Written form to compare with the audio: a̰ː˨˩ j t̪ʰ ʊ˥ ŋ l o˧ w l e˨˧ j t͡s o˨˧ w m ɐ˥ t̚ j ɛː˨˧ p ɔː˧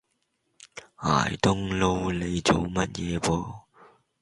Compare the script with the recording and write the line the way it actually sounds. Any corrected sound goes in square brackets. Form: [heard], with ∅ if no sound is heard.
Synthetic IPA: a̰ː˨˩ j [t̪] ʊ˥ ŋ l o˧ w l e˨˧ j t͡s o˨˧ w m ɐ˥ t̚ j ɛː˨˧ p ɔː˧